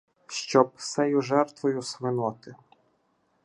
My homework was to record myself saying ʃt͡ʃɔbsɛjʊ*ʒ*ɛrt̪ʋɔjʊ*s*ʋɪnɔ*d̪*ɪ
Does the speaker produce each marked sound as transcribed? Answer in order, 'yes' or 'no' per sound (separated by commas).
yes, yes, no